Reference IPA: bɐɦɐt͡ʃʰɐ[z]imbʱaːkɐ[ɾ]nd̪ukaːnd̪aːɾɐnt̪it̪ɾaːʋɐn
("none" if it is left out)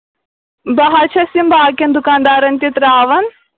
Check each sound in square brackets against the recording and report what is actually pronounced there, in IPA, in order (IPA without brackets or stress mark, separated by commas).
s, none